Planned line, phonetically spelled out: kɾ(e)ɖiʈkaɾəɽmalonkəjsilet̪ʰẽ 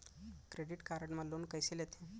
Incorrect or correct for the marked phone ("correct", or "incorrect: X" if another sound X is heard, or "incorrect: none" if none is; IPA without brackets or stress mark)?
correct